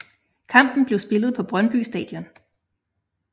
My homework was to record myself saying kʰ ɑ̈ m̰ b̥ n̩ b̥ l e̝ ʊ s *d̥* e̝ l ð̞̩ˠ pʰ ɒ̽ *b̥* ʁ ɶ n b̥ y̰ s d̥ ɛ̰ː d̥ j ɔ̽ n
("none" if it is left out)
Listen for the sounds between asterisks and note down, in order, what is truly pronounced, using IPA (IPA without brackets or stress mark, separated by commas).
b̥, b̥